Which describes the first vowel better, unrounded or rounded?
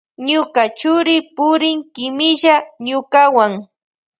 rounded